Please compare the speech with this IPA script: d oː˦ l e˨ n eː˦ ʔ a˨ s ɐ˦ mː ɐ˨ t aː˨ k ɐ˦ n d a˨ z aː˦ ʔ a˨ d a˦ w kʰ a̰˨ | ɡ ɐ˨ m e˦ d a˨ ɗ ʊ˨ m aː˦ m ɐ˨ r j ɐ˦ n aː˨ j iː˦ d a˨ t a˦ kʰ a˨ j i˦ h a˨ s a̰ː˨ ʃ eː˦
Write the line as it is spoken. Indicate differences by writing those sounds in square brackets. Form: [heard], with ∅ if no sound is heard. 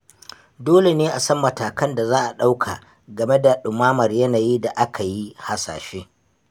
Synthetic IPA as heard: d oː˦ l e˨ n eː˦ ʔ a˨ s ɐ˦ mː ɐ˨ t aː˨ k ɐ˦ n d a˨ z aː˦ ʔ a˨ [ɗ] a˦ w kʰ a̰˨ | ɡ ɐ˨ m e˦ d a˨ ɗ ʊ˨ m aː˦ m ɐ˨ r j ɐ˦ n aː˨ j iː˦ d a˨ [ʔ] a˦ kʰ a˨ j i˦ h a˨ s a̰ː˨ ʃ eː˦